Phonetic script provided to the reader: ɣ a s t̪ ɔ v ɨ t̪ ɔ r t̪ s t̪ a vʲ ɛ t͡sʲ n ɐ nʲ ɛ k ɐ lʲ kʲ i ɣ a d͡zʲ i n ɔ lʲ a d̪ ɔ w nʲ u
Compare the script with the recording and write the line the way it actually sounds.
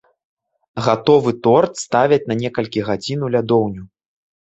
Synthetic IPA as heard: ɣ a t̪ ɔ v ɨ t̪ ɔ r t̪ s t̪ a vʲ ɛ t͡sʲ n ɐ nʲ ɛ k ɐ lʲ kʲ i ɣ a d͡zʲ i n u lʲ a d̪ ɔ w nʲ u

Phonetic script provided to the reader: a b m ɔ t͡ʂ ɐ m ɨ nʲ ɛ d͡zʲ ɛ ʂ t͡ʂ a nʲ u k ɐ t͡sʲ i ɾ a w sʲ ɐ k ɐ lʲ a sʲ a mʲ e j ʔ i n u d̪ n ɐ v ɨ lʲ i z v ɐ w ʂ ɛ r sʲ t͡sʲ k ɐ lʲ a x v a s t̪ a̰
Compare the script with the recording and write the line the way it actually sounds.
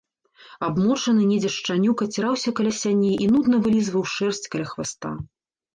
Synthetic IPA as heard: a b m ɔ t͡ʂ ɐ n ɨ nʲ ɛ d͡zʲ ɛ ʂ t͡ʂ a nʲ u k ɐ t͡sʲ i ɾ a w sʲ ɐ k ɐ lʲ a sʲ a nʲ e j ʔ i n u d̪ n ɐ v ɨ lʲ i z v ɐ w ʂ ɛ r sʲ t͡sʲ k ɐ lʲ a x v a s t̪ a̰

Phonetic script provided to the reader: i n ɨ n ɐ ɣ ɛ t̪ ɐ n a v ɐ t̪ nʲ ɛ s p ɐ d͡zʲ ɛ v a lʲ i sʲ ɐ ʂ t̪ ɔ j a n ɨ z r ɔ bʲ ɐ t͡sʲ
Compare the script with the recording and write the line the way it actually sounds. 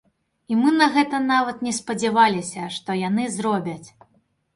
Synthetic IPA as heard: i m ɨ n ɐ ɣ ɛ t̪ ɐ n a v ɐ t̪ nʲ ɛ s p ɐ d͡zʲ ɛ v a lʲ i sʲ ɐ ʂ t̪ ɔ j a n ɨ z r ɔ bʲ ɐ t͡sʲ

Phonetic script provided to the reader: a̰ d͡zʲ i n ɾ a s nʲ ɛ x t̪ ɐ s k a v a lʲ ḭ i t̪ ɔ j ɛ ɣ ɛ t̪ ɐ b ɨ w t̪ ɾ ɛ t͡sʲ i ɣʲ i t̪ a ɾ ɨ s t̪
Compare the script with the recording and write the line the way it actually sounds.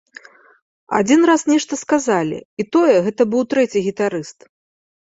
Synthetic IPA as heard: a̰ d͡zʲ i n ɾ a s nʲ ɛ ʂ t̪ ɐ s k a z a lʲ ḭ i t̪ ɔ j ɛ ɣ ɛ t̪ ɐ b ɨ w t̪ ɾ ɛ t͡sʲ i ɣʲ i t̪ a ɾ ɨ s t̪

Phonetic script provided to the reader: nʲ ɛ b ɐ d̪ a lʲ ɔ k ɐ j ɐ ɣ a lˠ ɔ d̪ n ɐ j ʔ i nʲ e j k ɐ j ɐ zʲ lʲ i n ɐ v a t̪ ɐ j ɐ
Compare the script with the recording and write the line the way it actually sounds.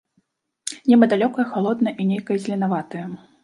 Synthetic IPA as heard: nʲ ɛ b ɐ d̪ a lʲ ɔ k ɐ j ɐ x a lˠ ɔ d̪ n ɐ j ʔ i nʲ e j k ɐ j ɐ zʲ lʲ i n a v a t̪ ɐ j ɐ

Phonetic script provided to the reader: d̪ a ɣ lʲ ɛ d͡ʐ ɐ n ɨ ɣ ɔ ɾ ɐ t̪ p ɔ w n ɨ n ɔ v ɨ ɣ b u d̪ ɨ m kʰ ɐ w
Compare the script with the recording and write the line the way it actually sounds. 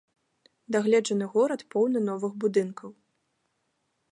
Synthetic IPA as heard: d̪ a ɣ lʲ ɛ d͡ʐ ɐ n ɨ ɣ ɔ ɾ ɐ t̪ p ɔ w n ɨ n ɔ v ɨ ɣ b u d̪ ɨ n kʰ ɐ w

